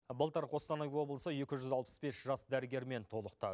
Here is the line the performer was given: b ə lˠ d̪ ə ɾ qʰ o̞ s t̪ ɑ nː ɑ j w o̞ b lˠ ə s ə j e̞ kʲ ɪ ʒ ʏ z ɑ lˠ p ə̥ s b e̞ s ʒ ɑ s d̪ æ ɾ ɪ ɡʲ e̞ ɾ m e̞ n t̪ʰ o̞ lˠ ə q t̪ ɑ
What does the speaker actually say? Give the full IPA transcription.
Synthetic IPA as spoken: b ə lˠ t̪ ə ɾ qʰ o̞ s t̪ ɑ n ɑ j w o̞ b lˠ ə s ə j e̞ kʲ ɪ ʒ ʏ z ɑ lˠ p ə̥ s b e̞ s ʒ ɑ s d̪ æ ɾ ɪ ɡʲ e̞ ɾ m e̞ n t̪ʰ o̞ lˠ ə q t̪ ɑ

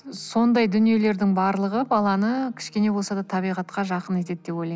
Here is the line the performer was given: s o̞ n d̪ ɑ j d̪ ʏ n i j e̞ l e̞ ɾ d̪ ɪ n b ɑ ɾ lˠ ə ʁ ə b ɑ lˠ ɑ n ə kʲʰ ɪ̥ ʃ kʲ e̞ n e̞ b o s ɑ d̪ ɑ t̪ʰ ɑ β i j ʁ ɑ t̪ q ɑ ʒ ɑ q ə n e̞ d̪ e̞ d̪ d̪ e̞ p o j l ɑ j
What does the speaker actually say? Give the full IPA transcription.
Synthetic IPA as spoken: s o̞ n d̪ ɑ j d̪ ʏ n i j e̞ l e̞ ɾ d̪ ɪ ŋ b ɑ ɾ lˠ ə ʁ ə b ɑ lˠ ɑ n ə kʲʰ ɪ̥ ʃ kʲ e̞ n e̞ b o s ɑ d̪ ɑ t̪ʰ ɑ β i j ʁ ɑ t̪ q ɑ ʒ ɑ q ə n e̞ t̪ e̞ d̪ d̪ e̞ p o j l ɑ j

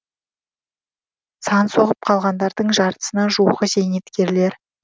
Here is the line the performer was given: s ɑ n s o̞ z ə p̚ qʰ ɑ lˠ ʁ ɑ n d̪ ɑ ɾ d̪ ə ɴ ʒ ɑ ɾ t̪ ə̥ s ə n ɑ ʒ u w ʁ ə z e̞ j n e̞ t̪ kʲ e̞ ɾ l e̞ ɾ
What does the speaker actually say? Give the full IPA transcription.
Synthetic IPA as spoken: s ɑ n s o̞ ʁ ə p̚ qʰ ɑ lˠ ʁ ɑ n d̪ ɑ ɾ d̪ ə ɴ ʒ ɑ ɾ t̪ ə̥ s ə n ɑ ʒ u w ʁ ə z e̞ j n e̞ t̪ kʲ e̞ ɾ l e̞ ɾ

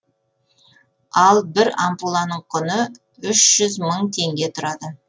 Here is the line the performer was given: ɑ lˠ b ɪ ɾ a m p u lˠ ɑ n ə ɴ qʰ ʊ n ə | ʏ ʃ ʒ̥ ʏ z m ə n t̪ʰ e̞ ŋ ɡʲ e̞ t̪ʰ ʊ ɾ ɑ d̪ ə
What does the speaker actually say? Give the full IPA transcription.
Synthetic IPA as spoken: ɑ lˠ b ɪ ɾ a m p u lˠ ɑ n ə ɴ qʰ ʊ n ə | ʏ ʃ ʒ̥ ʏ z m ə ɴ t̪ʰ e̞ ŋ ɡʲ e̞ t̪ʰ ʊ ɾ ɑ d̪ ə

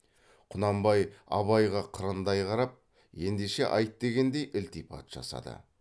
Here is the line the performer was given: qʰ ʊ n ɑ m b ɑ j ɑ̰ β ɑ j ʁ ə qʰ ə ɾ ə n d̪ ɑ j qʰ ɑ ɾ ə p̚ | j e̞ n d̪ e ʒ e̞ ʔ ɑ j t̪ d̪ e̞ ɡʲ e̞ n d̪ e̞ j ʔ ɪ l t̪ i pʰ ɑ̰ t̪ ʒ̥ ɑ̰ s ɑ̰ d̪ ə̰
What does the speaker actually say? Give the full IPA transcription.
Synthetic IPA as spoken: qʰ ʊ n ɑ m b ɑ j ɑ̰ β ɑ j ʁ ɑ qʰ ə ɾ ə n d̪ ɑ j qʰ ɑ ɾ ɑ p̚ | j e̞ n d̪ e ʃ e̞ ʔ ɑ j t̪ d̪ e̞ ɡʲ e̞ n d̪ e̞ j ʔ ɪ l t̪ i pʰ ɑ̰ t̪ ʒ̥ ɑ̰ s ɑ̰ d̪ ə̰

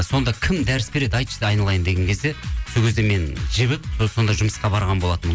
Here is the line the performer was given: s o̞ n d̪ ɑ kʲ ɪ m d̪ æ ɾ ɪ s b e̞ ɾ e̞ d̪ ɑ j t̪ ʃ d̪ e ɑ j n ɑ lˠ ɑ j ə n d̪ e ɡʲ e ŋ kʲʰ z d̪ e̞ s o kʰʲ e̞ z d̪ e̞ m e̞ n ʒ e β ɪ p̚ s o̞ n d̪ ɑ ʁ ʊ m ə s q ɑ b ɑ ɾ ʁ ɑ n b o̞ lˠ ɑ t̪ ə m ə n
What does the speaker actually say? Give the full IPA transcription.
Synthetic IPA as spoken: s o̞ n d̪ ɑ kʲʰ ɪ m d̪ æ ɾ ɪ s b e̞ ɾ e̞ d̪ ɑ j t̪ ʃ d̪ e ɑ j n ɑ lˠ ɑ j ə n d̪ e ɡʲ e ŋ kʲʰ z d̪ e̞ s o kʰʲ e̞ z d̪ e̞ m e̞ n ʒ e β ɪ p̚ s o̞ n d̪ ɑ ʒ ʊ m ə s q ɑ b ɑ ɾ ʁ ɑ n b o̞ lˠ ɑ t̪ ə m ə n

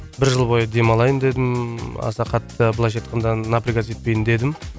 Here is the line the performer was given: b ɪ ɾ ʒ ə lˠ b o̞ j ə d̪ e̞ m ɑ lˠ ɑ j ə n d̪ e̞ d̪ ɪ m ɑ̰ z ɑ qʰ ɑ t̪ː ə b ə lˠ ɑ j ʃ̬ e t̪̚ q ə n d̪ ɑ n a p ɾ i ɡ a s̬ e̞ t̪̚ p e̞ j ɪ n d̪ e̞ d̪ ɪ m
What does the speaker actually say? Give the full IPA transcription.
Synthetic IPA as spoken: b ɪ ɾ ʒ ə lˠ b o̞ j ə d̪ e̞ m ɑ lˠ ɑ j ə n d̪ e̞ d̪ ɪ m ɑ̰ s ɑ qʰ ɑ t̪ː ə b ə lˠ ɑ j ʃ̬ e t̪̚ q ə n d̪ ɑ n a p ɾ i ɡ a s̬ e̞ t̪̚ p e̞ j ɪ n d̪ e̞ d̪ ɪ m

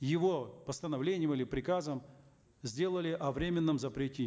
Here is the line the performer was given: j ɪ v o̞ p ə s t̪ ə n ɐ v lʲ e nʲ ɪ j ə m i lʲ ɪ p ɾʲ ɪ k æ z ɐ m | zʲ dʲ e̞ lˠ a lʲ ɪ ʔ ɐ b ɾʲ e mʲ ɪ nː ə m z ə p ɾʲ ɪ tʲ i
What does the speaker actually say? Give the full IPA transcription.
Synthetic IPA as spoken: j ɪ v o̞ p ə s t̪ ə n ɐ v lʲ e nʲ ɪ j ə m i lʲ ɪ p ɾʲ ɪ k a z ə m | zʲ dʲ e̞ lˠ ə lʲ ɪ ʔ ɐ v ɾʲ e mʲ ɪ nː ə m z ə p ɾʲ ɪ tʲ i

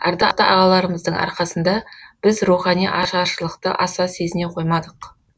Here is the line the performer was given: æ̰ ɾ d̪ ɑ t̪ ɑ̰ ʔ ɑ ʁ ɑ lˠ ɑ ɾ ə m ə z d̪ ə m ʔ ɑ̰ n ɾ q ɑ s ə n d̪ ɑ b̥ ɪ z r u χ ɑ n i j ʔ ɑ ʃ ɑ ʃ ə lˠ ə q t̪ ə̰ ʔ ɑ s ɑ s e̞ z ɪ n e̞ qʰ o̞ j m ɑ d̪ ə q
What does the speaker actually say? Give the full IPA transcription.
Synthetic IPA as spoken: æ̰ ɾ d̪ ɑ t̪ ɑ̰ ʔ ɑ ʁ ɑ lˠ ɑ ɾ ə m ə z d̪ ə ɴ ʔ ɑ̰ ɾ q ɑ s ə n d̪ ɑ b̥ ɪ z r u χ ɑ n i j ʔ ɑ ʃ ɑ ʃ ə lˠ ə q t̪ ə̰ ʔ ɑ s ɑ s e̞ z ɪ n e̞ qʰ o̞ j m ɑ d̪ ə q

